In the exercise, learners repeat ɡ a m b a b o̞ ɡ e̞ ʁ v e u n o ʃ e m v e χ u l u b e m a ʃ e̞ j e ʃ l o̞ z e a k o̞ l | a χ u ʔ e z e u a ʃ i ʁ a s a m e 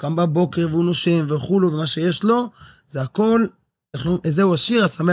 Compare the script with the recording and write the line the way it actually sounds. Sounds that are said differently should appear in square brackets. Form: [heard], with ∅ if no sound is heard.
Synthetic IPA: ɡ a m b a b o̞ [k] e̞ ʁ v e u n o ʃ e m v e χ u l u [v] e m a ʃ e̞ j e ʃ l o̞ z e a k o̞ l | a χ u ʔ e z e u a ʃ i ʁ a s a m e